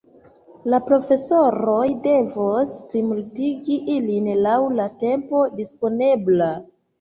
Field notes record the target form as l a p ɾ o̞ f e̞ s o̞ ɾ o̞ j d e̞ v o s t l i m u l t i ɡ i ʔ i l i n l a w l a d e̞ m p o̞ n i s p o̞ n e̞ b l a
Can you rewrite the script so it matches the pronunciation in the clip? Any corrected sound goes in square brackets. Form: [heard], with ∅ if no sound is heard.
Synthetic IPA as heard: l a p ɾ o̞ f e̞ s o̞ ɾ o̞ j d e̞ v o s [p] l i m u l t i ɡ i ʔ i l i n l a w l a [t] e̞ m p o̞ [d] i s p o̞ n e̞ b l a